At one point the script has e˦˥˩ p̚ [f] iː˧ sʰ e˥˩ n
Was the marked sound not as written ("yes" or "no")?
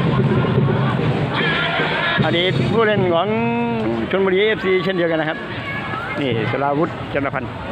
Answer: yes